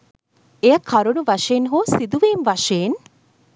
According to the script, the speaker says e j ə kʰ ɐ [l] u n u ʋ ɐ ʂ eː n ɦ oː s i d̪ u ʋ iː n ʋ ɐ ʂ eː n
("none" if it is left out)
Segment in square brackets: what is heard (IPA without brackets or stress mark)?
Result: ɾ